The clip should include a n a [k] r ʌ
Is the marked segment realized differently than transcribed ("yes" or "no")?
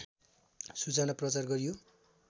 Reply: yes